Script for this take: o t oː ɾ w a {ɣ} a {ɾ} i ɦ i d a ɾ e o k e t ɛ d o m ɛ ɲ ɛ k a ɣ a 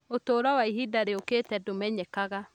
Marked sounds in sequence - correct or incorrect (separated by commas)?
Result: incorrect, incorrect